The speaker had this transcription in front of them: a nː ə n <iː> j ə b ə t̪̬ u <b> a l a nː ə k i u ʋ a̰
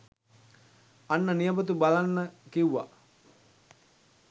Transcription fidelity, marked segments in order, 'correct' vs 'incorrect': incorrect: i, correct

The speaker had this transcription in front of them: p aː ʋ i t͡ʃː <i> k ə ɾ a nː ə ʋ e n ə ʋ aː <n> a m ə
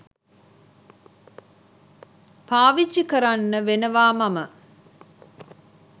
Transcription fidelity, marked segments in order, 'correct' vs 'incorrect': correct, incorrect: m

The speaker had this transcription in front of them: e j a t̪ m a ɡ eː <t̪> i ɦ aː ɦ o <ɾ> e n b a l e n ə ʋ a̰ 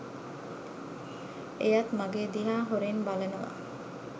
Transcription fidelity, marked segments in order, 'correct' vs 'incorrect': incorrect: d̪, correct

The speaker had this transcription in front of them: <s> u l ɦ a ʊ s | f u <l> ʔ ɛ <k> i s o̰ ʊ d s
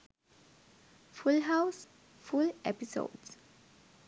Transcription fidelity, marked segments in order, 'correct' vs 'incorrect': incorrect: f, correct, incorrect: p

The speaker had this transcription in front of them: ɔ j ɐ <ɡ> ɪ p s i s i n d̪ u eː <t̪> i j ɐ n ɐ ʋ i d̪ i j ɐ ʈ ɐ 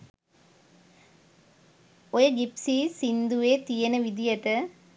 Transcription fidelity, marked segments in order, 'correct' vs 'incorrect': correct, correct

